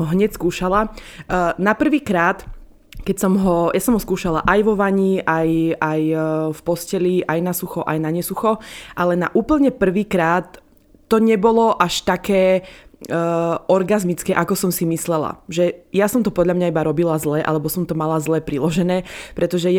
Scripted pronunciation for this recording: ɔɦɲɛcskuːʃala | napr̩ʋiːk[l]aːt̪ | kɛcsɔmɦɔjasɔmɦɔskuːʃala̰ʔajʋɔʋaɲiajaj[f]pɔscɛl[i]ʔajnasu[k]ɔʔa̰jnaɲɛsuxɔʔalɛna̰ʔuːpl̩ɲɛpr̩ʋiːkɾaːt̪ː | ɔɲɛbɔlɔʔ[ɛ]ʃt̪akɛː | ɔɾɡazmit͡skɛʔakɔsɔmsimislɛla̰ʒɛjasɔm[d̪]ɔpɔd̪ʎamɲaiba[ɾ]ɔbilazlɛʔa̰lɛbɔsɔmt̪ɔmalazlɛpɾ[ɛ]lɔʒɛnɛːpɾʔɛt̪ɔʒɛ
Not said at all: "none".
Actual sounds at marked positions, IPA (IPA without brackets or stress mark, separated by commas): ɾ, f, i, x, a, t̪, ɾ, i